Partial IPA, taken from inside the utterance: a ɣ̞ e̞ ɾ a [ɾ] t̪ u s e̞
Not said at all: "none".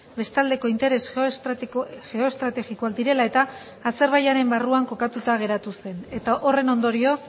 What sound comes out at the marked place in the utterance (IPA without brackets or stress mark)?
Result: none